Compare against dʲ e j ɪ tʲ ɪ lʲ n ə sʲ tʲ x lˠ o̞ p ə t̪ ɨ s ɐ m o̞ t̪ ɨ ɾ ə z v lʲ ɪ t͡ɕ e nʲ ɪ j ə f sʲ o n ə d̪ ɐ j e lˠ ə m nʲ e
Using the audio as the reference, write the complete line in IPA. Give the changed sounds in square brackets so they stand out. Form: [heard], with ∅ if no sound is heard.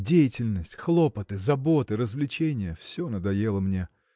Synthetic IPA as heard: dʲ e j ɪ tʲ ɪ lʲ n ə sʲ tʲ x lˠ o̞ p ə t̪ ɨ [z] ɐ [b] o̞ t̪ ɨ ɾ ə z v lʲ ɪ t͡ɕ e nʲ ɪ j ə f sʲ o n ə d̪ ɐ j e lˠ ə m nʲ e